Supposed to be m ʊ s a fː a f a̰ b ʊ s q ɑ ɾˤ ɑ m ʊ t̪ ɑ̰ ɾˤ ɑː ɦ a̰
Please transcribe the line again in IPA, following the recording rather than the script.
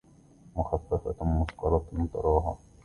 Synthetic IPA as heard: m ʊ x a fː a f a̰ m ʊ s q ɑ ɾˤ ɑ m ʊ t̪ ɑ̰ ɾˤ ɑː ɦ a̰